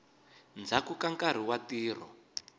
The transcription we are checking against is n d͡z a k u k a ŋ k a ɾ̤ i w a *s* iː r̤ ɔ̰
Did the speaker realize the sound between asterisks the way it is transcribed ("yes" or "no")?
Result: no